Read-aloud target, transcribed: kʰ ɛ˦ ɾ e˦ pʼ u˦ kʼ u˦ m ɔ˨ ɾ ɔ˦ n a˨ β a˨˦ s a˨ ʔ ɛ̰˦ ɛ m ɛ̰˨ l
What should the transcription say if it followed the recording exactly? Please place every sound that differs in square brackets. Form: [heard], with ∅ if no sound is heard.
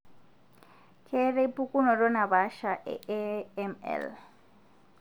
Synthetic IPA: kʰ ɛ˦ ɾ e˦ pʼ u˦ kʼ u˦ [n] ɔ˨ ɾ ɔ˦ n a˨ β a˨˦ [ʃ] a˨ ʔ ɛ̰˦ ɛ m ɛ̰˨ l